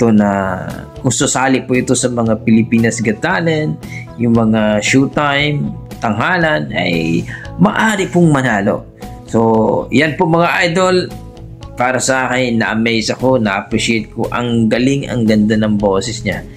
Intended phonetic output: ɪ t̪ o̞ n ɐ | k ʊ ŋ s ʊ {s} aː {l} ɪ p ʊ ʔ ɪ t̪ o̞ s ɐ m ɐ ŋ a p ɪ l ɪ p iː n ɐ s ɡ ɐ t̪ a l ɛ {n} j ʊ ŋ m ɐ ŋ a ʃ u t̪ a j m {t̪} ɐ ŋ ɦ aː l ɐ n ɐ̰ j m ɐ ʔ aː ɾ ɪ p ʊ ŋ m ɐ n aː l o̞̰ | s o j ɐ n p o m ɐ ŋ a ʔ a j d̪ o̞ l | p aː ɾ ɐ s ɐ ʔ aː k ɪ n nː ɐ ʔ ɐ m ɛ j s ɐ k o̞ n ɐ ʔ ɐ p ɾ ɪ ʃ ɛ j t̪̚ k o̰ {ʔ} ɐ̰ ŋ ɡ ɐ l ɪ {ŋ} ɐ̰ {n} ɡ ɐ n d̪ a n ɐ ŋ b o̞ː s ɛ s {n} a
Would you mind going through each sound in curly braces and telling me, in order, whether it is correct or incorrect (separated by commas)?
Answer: correct, correct, correct, correct, correct, correct, incorrect, incorrect